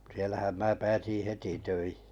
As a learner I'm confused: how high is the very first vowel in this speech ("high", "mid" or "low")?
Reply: high